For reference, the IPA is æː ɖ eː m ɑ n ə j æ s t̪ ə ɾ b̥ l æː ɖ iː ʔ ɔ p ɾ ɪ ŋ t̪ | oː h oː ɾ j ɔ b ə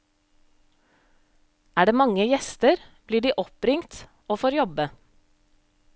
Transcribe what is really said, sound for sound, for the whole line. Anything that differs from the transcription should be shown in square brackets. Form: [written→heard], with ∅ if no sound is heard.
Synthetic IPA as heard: æː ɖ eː m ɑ [n→ŋ] ə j [æ→ɛ] s t̪ ə ɾ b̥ l [æː→iː] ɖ iː ʔ ɔ p ɾ ɪ ŋ t̪ | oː [h→f] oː ɾ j ɔ b ə